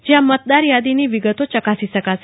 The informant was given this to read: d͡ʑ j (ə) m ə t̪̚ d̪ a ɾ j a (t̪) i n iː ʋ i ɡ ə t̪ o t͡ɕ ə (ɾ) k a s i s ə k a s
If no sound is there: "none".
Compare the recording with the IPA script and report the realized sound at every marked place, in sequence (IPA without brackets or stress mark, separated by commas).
a, d̪, none